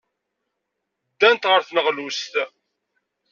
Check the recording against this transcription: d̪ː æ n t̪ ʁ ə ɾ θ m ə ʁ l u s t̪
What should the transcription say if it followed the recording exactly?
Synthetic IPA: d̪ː æ n t̪ ʁ ə ɾ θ n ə ʁ l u s t̪